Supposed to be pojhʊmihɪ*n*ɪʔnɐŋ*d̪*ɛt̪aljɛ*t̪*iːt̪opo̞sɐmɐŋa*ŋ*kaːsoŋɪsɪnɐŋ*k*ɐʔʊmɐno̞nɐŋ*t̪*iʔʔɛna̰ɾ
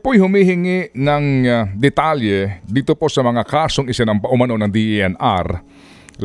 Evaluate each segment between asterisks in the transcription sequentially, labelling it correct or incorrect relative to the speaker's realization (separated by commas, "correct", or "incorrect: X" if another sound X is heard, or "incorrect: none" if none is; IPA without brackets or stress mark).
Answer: incorrect: ŋ, correct, incorrect: d̪, incorrect: none, incorrect: p, incorrect: d̪